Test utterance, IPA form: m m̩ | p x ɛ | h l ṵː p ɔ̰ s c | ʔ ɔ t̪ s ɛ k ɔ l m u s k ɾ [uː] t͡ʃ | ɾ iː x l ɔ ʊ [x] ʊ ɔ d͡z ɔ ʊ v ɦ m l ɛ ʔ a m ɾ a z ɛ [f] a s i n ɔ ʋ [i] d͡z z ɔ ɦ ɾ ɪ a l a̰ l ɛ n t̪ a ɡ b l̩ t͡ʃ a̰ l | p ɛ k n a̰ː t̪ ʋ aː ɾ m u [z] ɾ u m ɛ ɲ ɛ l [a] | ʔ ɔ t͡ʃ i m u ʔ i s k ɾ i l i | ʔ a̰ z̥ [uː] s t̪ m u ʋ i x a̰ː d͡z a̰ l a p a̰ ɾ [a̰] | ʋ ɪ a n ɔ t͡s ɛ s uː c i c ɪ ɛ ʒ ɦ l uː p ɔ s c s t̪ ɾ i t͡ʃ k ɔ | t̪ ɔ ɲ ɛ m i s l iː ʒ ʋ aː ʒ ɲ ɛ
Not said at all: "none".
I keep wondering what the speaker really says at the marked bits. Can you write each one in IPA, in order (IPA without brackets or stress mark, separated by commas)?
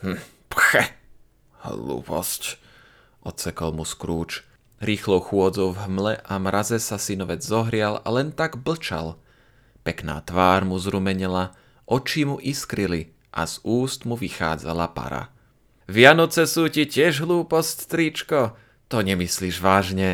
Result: uː, x, s, ɛ, z, a, uː, a̰